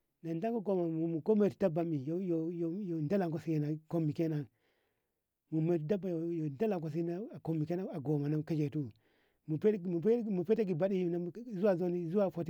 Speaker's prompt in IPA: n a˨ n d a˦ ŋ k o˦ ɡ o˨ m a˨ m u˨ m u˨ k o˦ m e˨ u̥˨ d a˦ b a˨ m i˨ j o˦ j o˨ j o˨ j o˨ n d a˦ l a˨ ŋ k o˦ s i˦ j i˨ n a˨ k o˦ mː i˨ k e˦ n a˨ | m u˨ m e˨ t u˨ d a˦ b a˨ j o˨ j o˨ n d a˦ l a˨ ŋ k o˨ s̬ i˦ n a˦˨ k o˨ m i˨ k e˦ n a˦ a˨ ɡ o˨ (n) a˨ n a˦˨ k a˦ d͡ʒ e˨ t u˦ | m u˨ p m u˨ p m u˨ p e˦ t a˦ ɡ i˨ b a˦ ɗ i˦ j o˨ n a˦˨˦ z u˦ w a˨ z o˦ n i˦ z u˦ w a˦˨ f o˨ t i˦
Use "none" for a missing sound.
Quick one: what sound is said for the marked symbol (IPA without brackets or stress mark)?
m